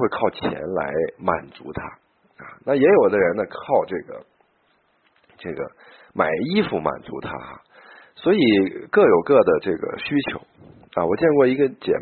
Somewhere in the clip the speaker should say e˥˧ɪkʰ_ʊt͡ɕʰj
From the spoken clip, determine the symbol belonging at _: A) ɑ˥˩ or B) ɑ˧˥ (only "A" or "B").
A